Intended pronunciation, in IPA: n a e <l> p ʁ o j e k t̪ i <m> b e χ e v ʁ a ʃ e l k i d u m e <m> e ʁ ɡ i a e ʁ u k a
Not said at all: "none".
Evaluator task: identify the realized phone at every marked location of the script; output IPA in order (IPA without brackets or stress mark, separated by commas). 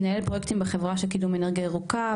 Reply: l, m, n